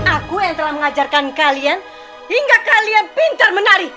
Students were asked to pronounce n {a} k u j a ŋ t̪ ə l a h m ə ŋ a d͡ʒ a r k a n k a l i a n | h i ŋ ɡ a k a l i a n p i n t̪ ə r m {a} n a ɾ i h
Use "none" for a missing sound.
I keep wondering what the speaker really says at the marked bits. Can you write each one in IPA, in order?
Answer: a, ə

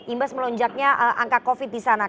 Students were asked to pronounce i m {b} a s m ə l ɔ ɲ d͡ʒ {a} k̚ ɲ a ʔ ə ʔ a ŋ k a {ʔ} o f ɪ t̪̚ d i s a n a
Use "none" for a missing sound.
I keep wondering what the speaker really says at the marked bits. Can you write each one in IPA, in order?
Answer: b, a, k

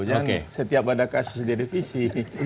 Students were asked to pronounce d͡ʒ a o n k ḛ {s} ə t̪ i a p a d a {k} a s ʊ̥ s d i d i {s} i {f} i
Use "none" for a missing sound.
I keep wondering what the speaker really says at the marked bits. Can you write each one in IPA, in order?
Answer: s, k, f, s

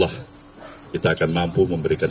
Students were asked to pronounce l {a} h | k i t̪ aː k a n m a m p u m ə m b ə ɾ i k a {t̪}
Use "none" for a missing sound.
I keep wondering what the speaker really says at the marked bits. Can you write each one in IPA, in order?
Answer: a, none

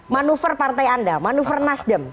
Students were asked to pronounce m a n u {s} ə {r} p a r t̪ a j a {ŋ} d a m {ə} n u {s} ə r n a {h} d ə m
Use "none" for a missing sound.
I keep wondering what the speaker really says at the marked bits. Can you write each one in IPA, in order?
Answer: f, r, n, a, f, s

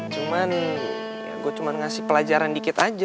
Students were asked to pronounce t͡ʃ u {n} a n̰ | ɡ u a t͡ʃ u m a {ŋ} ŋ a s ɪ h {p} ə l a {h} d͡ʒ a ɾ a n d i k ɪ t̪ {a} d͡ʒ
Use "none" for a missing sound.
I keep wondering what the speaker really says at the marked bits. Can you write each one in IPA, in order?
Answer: m, n, p, none, a

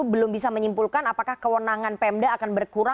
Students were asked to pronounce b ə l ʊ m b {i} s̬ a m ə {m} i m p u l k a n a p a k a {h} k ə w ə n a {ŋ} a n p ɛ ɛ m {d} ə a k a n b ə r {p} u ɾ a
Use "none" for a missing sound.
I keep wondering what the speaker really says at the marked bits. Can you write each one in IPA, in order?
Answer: i, ɲ, h, ŋ, d, k

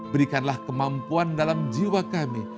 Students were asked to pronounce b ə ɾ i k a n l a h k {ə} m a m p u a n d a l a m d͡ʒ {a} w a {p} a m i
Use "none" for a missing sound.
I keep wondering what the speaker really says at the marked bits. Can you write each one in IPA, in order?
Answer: ə, i, k

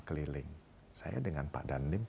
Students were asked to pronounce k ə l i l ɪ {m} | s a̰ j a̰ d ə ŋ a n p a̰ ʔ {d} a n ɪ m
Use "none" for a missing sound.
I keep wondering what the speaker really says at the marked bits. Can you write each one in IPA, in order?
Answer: ŋ, d

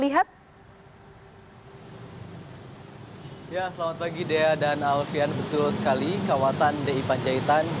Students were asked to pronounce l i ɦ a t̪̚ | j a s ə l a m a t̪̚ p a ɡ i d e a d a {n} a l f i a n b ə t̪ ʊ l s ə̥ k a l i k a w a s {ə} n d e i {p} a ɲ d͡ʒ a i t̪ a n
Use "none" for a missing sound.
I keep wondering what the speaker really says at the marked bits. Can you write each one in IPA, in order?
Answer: n, a, p

